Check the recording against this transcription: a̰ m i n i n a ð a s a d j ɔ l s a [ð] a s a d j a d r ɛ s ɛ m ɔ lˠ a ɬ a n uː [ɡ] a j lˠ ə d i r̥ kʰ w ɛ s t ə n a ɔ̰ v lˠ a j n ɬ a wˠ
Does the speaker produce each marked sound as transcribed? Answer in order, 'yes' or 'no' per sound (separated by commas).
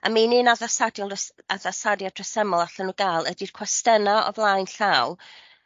yes, yes